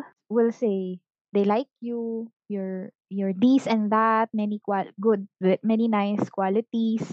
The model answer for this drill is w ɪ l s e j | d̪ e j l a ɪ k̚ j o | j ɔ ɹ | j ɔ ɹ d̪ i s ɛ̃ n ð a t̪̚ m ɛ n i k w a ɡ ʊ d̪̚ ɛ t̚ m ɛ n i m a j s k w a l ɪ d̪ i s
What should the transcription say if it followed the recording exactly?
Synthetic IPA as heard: w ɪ l s e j | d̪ e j l a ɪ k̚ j u | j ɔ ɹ | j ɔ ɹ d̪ i s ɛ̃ n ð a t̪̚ m ɛ n i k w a ɡ ʊ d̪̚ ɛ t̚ m ɛ n i n a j s k w a l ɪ t̪ i s